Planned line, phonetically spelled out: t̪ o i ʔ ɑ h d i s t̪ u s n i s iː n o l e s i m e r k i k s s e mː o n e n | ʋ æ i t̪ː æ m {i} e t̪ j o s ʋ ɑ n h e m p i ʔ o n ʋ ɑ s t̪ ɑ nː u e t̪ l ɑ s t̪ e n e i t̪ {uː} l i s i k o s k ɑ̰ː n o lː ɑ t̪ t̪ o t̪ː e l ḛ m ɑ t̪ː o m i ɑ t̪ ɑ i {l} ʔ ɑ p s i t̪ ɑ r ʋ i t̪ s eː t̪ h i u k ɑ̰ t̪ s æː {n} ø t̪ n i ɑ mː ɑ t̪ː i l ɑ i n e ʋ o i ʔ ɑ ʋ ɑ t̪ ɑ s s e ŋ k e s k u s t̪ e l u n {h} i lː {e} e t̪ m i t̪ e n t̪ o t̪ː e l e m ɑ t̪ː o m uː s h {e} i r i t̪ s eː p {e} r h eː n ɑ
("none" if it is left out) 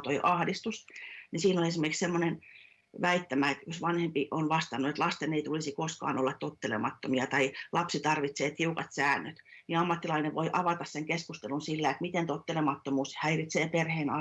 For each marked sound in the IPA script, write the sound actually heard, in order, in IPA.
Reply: æ, u, l, nː, s, æ, æ, e

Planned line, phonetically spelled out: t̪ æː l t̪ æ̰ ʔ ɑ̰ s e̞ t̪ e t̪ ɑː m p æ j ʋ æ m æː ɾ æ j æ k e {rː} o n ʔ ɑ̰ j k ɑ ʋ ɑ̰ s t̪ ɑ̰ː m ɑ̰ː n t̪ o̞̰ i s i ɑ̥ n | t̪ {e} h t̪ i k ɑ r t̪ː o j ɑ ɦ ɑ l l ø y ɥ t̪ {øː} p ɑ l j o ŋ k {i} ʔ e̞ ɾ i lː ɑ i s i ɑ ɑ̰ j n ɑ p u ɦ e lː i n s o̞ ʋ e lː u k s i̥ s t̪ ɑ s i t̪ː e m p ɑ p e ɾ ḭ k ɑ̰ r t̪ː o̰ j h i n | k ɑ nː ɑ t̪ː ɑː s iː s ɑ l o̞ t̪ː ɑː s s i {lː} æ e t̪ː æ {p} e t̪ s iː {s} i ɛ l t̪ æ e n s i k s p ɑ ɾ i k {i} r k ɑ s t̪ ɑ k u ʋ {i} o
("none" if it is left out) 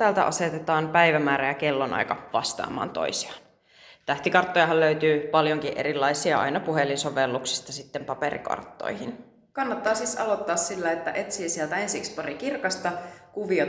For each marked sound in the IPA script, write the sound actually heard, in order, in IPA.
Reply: lː, æ, yː, i, lː, ʔ, s, i, i

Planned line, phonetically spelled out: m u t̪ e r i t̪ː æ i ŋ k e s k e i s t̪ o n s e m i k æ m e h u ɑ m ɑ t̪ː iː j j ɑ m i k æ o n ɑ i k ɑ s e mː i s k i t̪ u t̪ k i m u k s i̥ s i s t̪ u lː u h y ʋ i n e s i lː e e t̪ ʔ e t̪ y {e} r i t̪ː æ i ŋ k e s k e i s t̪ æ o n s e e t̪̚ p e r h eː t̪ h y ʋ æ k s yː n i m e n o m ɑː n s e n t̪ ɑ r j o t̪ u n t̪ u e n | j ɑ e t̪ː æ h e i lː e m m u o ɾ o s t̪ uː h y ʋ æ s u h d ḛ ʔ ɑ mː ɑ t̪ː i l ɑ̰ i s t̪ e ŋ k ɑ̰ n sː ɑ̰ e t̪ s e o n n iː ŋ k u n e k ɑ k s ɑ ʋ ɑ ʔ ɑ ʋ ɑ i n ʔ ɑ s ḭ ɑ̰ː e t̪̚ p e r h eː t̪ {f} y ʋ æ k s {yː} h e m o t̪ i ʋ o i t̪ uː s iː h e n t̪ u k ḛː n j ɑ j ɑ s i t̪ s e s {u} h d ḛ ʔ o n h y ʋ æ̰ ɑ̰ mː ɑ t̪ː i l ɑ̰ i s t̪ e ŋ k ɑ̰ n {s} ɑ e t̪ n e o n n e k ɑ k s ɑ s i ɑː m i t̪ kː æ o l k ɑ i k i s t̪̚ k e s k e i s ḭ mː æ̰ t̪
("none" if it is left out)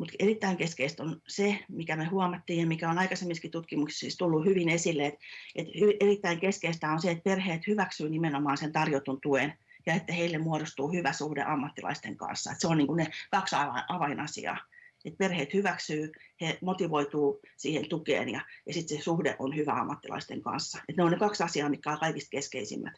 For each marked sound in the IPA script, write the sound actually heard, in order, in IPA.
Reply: e, h, yː, u, sː

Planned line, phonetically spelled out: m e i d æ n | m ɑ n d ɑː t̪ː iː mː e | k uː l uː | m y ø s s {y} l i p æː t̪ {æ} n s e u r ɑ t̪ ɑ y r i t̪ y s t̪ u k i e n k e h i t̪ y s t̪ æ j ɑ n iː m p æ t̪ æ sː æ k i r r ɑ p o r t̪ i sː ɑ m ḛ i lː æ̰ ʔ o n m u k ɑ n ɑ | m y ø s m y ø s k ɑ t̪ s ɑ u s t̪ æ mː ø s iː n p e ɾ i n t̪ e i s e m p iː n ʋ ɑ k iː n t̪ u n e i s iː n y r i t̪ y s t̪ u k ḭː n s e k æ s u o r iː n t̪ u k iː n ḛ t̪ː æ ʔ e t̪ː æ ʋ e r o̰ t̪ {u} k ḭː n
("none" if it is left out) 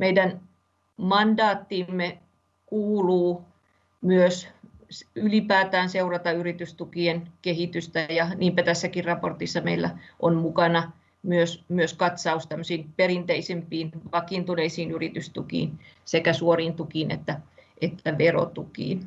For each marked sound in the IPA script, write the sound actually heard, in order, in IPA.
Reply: y, æː, u

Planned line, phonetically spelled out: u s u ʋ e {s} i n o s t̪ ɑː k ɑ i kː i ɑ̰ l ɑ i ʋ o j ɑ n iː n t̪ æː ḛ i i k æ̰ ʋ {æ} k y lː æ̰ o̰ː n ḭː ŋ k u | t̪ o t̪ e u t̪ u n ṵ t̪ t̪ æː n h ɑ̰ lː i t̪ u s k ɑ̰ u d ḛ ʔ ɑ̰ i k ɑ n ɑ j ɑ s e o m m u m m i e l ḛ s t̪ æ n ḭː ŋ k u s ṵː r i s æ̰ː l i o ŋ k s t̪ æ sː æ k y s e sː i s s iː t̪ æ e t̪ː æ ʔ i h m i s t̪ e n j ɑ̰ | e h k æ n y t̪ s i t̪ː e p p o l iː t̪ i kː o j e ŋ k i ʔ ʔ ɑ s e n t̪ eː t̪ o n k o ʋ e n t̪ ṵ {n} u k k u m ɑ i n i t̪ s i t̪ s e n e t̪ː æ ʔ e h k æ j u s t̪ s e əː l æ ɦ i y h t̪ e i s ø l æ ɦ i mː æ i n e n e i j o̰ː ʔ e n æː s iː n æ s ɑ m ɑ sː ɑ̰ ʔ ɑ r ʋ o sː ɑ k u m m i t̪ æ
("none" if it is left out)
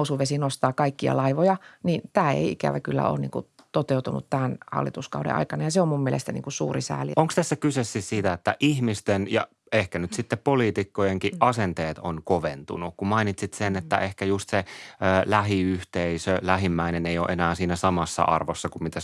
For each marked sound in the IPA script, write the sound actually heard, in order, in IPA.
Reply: s, æ, n

